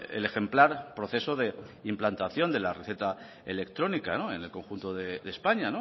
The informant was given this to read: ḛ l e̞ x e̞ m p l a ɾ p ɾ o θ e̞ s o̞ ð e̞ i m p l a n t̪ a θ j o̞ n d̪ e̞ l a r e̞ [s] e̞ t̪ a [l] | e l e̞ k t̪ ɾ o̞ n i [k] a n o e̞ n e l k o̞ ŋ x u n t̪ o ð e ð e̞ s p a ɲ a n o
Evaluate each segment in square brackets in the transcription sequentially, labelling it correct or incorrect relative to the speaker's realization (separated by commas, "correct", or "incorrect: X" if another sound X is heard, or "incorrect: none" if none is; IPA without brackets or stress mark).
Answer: incorrect: θ, incorrect: none, correct